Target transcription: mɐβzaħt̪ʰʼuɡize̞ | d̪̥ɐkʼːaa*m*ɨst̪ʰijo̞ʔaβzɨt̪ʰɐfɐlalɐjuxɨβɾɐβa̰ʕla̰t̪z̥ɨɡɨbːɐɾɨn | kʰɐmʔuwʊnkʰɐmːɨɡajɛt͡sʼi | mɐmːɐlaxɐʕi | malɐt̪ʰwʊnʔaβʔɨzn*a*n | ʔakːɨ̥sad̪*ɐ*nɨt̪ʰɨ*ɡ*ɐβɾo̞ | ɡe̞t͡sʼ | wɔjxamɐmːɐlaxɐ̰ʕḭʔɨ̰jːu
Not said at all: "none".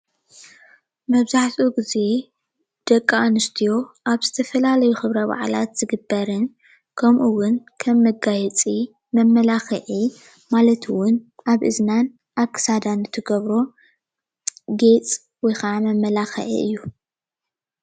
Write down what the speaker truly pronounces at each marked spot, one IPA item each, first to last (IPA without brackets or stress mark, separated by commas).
n, a, a, ɡ